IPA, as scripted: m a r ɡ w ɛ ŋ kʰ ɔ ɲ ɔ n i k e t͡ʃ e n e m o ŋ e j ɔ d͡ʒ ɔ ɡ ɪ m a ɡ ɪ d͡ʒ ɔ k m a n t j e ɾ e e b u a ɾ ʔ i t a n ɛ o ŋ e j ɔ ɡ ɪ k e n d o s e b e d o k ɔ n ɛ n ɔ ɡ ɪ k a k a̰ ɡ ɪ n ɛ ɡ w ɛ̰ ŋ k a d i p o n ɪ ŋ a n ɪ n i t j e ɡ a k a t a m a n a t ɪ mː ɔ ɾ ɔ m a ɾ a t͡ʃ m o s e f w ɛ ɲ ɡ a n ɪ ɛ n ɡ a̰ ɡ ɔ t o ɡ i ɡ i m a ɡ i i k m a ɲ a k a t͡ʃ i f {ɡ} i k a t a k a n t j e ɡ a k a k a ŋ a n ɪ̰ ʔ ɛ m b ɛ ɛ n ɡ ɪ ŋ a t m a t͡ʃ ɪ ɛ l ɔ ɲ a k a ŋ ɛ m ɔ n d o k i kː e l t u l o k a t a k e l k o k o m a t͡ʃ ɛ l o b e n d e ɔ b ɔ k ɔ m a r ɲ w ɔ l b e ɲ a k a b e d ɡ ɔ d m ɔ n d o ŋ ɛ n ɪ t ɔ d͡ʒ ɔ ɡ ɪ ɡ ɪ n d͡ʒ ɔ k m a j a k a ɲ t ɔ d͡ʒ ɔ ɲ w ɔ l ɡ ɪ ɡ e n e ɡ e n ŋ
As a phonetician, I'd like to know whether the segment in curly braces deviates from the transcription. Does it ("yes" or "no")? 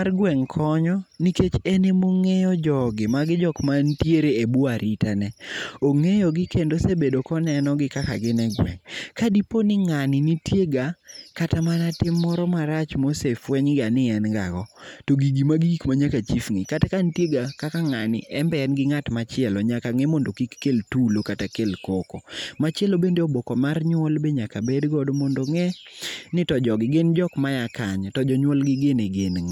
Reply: yes